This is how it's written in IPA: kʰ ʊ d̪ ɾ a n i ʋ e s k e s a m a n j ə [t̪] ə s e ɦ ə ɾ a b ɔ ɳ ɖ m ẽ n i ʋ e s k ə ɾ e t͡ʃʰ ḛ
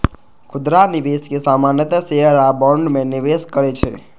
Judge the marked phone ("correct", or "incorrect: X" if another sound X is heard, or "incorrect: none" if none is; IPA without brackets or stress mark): correct